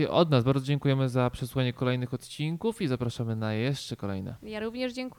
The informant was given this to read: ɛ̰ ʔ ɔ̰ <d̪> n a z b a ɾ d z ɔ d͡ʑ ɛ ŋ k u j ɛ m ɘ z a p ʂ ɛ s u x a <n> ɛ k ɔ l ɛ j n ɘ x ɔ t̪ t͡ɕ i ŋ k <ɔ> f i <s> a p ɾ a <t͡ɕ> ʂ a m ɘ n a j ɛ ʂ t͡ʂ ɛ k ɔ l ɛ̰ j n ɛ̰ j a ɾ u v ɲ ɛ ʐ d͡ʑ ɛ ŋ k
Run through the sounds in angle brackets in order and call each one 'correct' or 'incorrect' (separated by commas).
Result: correct, incorrect, incorrect, incorrect, incorrect